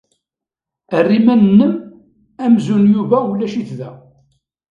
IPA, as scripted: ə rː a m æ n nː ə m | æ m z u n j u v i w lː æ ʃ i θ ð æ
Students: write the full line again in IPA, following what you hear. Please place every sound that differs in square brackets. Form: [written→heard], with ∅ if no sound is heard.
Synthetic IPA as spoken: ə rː [a→i] m æ n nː ə m | æ m z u n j u v [i→æ] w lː æ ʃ i θ ð æ